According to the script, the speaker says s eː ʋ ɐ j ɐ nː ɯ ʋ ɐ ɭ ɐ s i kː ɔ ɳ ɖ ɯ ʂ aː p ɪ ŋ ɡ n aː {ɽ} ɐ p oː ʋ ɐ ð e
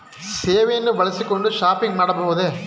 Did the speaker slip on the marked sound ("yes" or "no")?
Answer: no